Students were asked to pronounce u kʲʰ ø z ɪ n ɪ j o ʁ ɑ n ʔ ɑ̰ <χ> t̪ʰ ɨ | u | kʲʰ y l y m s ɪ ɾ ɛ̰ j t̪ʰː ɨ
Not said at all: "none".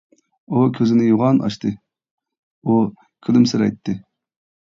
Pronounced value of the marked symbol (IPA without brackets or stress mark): ʃ